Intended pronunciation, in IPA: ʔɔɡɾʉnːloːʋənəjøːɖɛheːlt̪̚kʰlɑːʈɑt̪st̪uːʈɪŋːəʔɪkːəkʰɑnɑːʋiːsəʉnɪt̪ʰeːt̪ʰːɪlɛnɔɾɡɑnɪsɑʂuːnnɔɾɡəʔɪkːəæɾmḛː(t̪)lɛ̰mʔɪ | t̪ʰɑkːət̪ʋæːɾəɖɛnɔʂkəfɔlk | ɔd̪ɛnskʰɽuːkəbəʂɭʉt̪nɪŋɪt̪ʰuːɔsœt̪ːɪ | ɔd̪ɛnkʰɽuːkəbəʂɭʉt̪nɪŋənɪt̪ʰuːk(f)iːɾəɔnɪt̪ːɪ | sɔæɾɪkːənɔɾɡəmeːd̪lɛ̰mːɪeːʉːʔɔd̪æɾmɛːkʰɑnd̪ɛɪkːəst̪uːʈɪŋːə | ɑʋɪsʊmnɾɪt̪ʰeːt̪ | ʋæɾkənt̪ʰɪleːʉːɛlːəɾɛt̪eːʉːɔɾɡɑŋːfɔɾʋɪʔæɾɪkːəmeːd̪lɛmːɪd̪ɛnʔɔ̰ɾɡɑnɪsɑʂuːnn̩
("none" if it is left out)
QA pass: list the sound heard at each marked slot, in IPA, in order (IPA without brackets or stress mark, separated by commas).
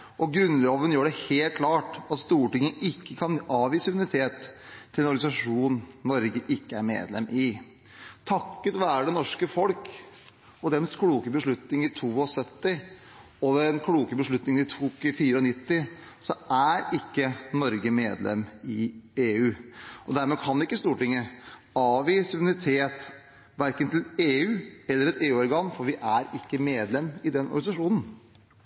d̪, f